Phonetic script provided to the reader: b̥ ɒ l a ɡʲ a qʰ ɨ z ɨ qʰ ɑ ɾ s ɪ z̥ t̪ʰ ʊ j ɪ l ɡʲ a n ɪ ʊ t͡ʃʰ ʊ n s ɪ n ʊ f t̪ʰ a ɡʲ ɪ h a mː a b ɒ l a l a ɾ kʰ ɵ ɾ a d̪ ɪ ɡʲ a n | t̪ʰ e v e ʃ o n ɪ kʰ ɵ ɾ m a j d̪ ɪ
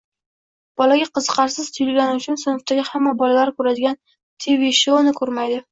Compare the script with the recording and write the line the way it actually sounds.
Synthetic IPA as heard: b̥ ɒ l a ɡʲ a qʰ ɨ z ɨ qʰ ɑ ɾ s ɪ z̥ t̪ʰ ʊ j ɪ l ɡʲ a n ɪ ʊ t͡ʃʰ ʊ n s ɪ n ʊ f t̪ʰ a ɡʲ ɪ h a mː a b ɒ l a l a ɾ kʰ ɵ ɾ a d̪ ɪ ɡʲ a n | t̪ʰ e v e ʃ o n ɪ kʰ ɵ ɾ m a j d̪ ɪ